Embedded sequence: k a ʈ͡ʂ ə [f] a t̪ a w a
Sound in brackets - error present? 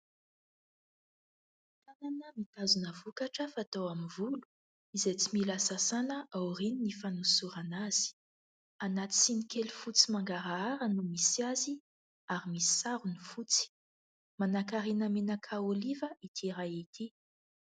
no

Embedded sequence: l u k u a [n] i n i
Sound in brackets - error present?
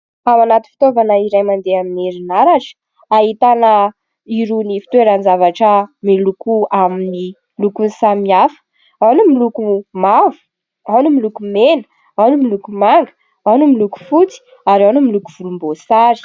yes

